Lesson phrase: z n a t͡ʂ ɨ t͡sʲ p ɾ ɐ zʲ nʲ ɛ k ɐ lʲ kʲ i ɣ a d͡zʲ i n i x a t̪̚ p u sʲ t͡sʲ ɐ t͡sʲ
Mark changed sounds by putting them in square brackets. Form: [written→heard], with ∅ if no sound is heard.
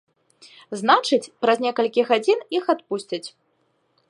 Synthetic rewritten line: z n a t͡ʂ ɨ t͡sʲ p ɾ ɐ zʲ nʲ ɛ k ɐ lʲ kʲ i ɣ a d͡zʲ i n i x a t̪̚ p u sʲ t͡sʲ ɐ t͡sʲ

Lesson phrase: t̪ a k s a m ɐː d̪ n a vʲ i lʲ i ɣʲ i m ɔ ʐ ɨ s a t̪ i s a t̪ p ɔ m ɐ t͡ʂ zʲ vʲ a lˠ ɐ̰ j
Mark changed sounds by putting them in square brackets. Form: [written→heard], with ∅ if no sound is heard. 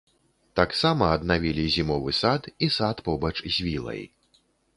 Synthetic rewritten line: t̪ a k s a m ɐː d̪ n a vʲ i lʲ i [ɣʲ→zʲ] i m ɔ [ʐ→v] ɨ s a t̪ i s a t̪ p ɔ [m→b] ɐ t͡ʂ zʲ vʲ [a→i] lˠ ɐ̰ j

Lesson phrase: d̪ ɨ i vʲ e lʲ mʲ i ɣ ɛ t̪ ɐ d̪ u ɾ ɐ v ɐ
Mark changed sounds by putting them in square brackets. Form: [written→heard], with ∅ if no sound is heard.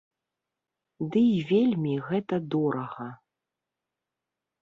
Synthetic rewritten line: d̪ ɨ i vʲ e lʲ mʲ i ɣ ɛ t̪ ɐ d̪ [u→ɔ] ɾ ɐ [v→ɣ] ɐ

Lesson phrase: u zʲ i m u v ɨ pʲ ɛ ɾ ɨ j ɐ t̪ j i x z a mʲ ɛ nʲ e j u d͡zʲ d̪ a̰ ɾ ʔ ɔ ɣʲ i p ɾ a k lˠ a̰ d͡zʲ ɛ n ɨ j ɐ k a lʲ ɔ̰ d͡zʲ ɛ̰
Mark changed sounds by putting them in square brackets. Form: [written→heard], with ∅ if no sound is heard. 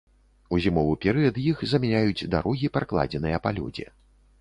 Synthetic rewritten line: u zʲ i m [u→ɔ] v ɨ pʲ ɛ ɾ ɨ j ɐ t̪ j i x z [a→ɐ] mʲ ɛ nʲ [e→a] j u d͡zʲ d̪ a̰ ɾ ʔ ɔ ɣʲ i p ɾ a k lˠ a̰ d͡zʲ ɛ n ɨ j ɐ [k→p] a lʲ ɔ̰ d͡zʲ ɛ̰

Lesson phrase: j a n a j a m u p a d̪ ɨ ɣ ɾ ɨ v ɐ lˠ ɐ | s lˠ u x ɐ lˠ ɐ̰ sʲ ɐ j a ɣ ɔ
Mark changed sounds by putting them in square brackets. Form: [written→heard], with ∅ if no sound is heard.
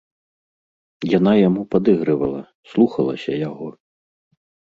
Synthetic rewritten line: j a n a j a m u p a d̪ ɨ ɣ ɾ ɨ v ɐ lˠ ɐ | s lˠ u x ɐ lˠ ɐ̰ sʲ ɐ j a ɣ ɔ

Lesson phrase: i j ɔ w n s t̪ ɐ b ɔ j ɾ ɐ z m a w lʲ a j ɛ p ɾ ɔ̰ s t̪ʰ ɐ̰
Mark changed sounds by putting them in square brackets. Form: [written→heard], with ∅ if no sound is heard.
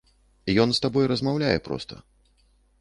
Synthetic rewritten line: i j ɔ [w→∅] n s t̪ [ɐ→a] b ɔ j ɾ ɐ z m a w lʲ a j ɛ p ɾ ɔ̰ s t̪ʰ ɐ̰

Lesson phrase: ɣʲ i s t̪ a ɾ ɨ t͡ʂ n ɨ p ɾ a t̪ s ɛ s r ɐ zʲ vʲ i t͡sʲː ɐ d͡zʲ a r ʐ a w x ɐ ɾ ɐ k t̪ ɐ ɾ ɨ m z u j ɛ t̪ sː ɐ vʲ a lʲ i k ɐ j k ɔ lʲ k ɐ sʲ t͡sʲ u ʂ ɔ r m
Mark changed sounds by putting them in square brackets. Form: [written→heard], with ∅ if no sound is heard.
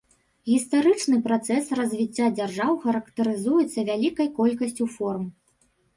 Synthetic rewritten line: ɣʲ i s t̪ a ɾ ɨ t͡ʂ n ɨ p ɾ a t̪ s ɛ s r ɐ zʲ vʲ i t͡sʲː [ɐ→a] d͡zʲ a r ʐ a w x ɐ ɾ ɐ k t̪ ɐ ɾ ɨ [m→∅] z u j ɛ t̪ sː ɐ vʲ a lʲ i k ɐ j k ɔ lʲ k ɐ sʲ t͡sʲ u [ʂ→f] ɔ r m

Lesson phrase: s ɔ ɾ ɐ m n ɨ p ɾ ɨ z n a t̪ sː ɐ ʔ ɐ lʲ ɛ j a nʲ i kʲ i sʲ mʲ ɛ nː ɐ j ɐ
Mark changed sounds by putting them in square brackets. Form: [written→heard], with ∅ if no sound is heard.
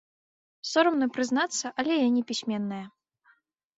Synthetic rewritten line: s ɔ ɾ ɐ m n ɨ p ɾ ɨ z n a t̪ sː ɐ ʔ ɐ lʲ ɛ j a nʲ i [kʲ→pʲ] i sʲ mʲ ɛ nː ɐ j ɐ

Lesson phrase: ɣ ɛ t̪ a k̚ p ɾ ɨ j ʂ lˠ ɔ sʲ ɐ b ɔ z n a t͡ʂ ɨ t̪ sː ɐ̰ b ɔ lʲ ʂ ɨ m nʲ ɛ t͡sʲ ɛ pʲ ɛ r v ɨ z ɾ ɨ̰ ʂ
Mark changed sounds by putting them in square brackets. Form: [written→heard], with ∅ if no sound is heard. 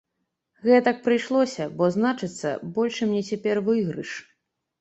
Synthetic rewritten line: ɣ ɛ t̪ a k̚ p ɾ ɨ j ʂ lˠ ɔ sʲ ɐ b ɔ z n a t͡ʂ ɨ t̪ sː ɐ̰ b ɔ lʲ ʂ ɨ m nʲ ɛ t͡sʲ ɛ pʲ ɛ r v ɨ [z→ɣ] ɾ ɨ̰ ʂ

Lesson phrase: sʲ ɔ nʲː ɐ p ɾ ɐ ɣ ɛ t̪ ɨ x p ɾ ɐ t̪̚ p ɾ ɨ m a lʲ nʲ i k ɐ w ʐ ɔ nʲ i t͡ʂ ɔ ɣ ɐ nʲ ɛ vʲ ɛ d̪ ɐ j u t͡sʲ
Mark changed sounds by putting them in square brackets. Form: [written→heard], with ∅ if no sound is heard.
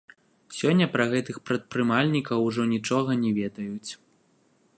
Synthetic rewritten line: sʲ ɔ nʲː ɐ p ɾ ɐ ɣ ɛ t̪ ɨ x p ɾ ɐ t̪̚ p ɾ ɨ m a lʲ nʲ i k ɐ w ʐ ɔ nʲ i t͡ʂ ɔ ɣ ɐ nʲ ɛ vʲ ɛ d̪ ɐ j u t͡sʲ

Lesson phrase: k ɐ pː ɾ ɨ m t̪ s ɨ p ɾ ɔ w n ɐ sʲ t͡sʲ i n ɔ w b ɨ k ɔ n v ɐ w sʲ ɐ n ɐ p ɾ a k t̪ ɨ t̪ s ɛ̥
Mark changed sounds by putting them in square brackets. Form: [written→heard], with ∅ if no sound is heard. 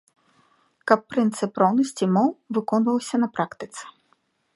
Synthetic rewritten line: k ɐ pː ɾ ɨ [m→n] t̪ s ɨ p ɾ ɔ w n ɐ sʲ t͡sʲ i [n→m] ɔ w [b→v] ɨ k ɔ n v ɐ w sʲ ɐ n ɐ p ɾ a k t̪ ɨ t̪ s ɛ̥

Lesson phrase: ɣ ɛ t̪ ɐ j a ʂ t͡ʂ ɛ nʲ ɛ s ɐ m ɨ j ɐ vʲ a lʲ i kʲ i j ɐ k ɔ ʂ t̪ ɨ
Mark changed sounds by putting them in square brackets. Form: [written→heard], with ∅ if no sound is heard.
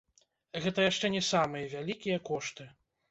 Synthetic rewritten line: ɣ ɛ t̪ ɐ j a ʂ t͡ʂ ɛ nʲ ɛ s [ɐ→a] m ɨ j ɐ vʲ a lʲ i kʲ i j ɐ k ɔ ʂ t̪ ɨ

